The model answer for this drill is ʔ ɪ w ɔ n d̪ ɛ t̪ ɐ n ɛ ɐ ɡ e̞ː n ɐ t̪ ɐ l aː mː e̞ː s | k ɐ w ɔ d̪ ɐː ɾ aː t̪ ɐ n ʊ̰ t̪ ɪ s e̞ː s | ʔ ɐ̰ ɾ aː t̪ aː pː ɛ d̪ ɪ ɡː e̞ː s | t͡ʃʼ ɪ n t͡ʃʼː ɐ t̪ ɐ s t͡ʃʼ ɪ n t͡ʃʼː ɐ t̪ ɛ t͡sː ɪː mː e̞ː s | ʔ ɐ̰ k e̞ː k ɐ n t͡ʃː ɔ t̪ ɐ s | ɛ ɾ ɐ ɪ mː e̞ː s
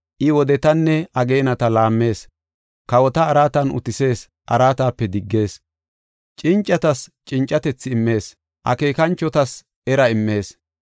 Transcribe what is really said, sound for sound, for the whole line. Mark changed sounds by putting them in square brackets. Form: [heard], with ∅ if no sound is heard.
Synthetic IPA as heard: ʔ ɪ w ɔ [∅] d̪ ɛ t̪ ɐ [nː] ɛ ɐ ɡ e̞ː n ɐ t̪ ɐ l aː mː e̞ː s | k ɐ w ɔ [t̪] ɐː ɾ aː t̪ ɐ n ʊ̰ t̪ ɪ s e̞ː s | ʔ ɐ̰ ɾ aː t̪ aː pː ɛ d̪ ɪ ɡː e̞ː s | t͡ʃʼ ɪ n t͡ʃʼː ɐ t̪ ɐ s t͡ʃʼ ɪ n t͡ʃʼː ɐ t̪ ɛ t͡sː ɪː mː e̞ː s | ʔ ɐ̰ k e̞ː k ɐ n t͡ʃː ɔ t̪ ɐ s | ɛ ɾ ɐ ɪ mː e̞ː s